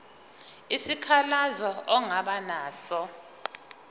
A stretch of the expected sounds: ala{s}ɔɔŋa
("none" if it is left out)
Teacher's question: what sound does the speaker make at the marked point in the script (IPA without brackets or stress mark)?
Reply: z